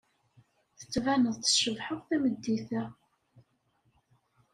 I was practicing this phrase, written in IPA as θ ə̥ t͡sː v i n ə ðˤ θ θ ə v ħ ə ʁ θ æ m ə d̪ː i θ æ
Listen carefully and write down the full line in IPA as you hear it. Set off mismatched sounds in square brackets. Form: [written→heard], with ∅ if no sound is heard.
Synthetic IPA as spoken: θ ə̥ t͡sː v [i→æ] n ə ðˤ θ [θ→ʃ] ə v ħ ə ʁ θ æ m ə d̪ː i θ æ